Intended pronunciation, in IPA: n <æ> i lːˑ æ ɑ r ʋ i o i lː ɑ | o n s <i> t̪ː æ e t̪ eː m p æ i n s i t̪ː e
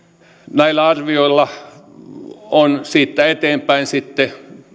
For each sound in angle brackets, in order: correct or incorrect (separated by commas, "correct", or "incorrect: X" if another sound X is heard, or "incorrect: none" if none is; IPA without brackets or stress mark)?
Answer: correct, incorrect: iː